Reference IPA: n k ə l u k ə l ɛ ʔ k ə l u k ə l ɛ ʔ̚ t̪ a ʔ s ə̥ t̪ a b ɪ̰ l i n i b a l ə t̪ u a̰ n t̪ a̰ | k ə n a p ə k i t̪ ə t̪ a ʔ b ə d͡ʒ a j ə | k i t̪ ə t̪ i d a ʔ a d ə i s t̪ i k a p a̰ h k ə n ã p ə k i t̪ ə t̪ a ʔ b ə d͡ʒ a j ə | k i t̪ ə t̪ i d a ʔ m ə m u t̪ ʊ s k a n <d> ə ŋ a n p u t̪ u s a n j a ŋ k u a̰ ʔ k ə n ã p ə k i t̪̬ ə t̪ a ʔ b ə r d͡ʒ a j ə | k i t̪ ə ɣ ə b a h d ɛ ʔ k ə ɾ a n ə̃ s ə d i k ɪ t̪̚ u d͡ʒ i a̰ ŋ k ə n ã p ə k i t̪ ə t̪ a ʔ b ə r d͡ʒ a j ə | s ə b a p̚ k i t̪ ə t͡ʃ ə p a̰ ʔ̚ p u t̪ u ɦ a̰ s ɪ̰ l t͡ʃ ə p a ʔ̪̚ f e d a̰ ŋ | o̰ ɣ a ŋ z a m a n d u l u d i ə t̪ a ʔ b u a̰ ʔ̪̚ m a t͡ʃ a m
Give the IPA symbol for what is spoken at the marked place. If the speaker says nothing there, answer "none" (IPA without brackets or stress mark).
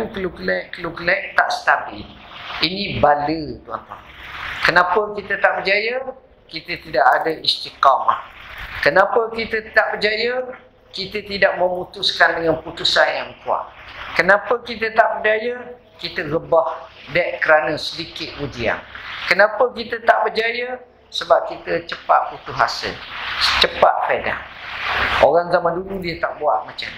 d